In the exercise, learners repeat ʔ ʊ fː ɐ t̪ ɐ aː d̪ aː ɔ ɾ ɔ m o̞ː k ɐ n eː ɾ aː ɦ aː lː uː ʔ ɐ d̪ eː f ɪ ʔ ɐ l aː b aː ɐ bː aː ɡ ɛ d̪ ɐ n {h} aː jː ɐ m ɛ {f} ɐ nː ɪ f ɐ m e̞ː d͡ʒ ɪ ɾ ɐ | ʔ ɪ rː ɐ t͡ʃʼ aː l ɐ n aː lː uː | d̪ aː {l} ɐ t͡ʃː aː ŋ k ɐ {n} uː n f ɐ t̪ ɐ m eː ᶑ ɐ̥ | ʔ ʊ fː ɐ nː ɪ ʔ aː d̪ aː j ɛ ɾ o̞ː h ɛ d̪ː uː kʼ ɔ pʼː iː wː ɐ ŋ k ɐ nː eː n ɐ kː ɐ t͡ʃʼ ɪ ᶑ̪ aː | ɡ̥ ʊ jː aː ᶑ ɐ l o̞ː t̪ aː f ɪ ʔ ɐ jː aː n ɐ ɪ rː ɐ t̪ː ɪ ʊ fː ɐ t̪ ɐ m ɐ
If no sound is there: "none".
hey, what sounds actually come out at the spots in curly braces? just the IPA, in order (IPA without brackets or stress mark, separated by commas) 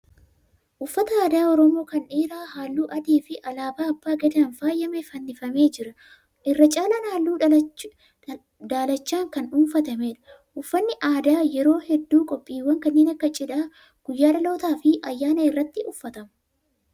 f, f, l, n